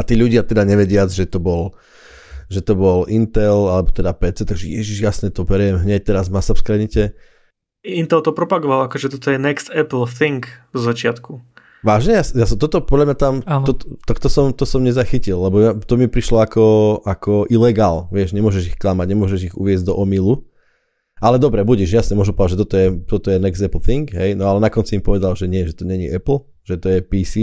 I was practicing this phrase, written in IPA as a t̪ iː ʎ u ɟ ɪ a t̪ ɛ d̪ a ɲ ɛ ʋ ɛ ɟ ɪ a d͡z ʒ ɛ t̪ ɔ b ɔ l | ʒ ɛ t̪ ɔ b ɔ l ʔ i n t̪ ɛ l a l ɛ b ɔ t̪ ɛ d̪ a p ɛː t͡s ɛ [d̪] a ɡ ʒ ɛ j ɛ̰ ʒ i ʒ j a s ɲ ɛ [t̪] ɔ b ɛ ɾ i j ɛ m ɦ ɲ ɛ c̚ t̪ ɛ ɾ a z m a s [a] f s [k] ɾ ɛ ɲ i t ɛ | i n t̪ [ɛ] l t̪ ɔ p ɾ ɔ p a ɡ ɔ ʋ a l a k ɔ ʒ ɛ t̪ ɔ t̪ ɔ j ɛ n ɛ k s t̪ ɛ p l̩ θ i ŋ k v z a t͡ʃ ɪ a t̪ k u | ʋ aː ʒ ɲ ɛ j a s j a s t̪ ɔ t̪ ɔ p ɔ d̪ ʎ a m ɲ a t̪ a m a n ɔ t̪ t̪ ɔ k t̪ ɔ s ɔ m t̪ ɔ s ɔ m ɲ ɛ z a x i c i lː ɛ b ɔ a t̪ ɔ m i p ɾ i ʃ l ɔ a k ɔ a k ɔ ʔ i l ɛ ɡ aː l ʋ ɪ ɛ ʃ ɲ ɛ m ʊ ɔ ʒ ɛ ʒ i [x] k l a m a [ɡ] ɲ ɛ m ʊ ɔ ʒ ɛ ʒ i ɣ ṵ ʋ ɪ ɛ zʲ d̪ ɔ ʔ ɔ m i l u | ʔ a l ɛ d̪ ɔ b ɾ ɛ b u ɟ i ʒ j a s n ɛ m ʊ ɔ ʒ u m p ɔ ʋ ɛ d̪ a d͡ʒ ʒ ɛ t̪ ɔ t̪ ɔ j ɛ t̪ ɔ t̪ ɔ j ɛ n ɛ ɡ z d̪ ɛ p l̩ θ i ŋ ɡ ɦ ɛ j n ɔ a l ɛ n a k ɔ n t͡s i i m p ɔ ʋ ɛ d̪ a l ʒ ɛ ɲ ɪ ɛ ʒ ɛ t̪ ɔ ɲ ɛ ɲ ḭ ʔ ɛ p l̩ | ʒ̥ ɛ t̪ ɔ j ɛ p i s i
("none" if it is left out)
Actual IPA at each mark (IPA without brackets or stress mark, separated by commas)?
t̪, t̪, a, k, ɛ, x, ɟ